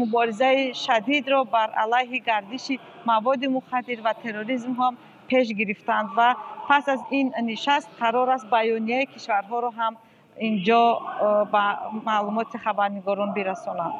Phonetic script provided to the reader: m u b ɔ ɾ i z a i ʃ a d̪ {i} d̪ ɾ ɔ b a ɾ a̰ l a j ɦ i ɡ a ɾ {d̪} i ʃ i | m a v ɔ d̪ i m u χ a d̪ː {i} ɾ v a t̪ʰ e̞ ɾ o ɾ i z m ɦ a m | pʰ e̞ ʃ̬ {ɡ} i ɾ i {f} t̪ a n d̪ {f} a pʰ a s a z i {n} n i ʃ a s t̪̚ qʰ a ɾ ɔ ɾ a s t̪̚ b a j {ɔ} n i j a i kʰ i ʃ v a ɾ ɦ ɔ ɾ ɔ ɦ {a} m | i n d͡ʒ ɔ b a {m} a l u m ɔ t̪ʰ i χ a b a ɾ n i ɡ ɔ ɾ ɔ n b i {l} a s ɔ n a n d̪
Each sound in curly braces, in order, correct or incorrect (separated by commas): correct, correct, correct, correct, correct, incorrect, correct, correct, correct, correct, incorrect